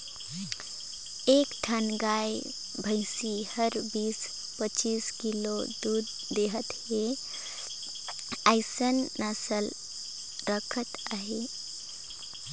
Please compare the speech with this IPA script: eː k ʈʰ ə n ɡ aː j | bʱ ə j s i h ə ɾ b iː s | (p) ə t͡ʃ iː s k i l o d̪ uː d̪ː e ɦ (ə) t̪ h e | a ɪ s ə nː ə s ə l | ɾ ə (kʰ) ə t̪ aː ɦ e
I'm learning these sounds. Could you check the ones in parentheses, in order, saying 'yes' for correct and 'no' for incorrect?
yes, yes, yes

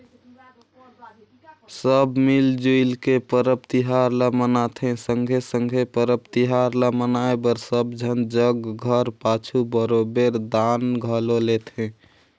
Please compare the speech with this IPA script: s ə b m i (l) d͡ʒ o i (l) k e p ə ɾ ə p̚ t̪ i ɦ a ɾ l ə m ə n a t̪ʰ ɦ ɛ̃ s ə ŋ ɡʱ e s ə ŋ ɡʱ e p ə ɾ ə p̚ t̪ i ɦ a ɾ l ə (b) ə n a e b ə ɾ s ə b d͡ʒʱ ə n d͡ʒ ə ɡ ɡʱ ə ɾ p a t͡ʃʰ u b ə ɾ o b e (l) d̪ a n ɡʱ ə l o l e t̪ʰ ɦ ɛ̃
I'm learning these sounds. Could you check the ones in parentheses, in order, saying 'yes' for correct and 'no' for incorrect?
yes, yes, no, no

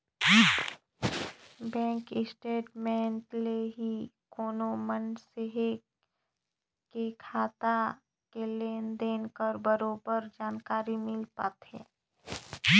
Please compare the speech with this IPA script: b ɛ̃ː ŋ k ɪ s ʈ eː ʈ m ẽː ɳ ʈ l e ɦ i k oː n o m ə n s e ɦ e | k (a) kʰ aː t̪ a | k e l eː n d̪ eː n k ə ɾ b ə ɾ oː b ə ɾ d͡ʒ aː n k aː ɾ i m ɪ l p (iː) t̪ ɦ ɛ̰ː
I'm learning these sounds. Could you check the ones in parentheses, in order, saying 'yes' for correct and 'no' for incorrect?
no, no

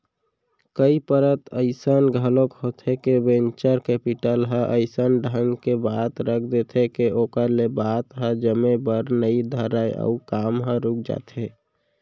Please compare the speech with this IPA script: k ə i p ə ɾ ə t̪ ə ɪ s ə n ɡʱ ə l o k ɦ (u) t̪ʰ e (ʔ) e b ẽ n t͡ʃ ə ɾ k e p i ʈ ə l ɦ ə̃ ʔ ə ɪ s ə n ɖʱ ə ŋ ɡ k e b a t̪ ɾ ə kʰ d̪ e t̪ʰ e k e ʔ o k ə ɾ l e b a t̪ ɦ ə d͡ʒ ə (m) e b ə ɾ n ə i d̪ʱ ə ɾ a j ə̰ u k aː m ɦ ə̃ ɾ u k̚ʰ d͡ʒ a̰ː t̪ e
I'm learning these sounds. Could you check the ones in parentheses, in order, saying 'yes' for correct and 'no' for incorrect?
no, no, yes

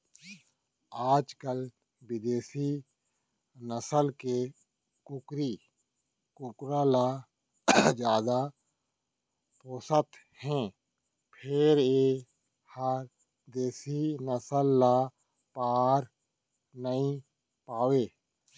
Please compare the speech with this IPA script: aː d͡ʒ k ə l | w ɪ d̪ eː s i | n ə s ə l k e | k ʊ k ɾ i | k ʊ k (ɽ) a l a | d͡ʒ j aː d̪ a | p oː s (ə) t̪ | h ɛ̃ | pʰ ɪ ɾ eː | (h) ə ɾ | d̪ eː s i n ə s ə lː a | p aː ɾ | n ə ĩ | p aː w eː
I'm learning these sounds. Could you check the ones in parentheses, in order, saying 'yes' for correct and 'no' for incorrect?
no, yes, yes

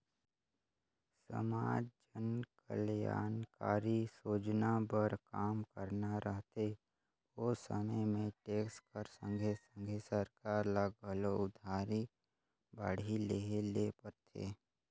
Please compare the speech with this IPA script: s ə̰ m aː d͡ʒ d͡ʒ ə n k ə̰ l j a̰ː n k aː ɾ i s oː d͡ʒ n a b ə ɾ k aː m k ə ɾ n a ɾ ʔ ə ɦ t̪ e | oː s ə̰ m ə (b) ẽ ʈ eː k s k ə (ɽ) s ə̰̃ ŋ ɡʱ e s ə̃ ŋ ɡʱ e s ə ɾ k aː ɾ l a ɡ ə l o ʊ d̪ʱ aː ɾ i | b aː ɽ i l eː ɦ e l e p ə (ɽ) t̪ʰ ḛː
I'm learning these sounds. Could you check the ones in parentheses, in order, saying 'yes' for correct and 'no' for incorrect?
no, no, no

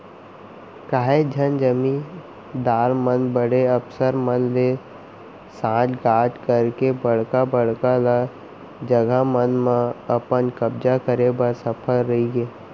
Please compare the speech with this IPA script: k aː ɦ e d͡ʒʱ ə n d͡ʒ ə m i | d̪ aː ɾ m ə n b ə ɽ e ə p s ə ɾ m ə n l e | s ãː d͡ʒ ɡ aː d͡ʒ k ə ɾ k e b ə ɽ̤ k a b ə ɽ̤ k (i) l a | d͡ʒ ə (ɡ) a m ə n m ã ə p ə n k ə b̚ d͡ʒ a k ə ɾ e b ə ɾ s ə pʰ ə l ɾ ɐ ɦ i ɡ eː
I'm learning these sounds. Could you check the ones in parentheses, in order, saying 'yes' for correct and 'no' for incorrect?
no, yes

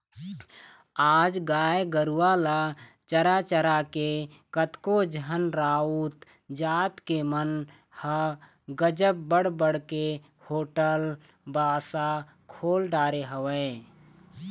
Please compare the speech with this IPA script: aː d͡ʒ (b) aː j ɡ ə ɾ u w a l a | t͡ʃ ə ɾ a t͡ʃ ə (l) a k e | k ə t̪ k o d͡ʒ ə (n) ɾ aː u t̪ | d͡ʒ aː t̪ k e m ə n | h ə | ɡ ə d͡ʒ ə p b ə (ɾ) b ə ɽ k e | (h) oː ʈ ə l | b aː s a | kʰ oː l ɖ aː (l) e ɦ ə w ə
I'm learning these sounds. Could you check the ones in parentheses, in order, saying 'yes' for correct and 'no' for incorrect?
no, no, yes, no, yes, no

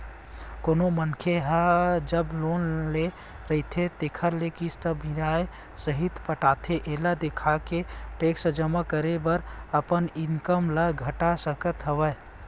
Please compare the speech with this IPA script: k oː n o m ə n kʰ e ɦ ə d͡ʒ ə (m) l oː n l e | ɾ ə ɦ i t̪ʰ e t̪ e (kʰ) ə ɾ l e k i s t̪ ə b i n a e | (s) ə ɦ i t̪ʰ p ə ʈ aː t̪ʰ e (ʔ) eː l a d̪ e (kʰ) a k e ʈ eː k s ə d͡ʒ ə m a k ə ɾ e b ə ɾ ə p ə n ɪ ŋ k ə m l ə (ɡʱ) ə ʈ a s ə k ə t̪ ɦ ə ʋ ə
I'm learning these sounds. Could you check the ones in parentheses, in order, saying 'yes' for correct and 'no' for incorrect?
no, yes, yes, yes, yes, yes

